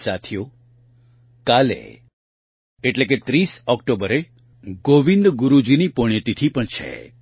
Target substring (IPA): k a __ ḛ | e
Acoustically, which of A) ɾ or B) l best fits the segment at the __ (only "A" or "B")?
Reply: B